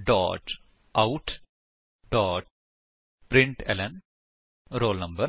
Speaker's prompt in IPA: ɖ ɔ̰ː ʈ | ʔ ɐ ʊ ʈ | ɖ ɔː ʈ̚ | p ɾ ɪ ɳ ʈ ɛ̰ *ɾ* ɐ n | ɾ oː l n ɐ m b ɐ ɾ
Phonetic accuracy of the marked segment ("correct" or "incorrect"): incorrect